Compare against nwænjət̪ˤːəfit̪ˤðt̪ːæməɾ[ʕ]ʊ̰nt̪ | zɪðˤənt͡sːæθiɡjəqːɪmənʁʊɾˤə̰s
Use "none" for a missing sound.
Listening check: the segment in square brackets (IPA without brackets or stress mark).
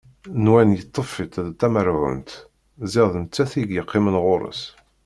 ʕ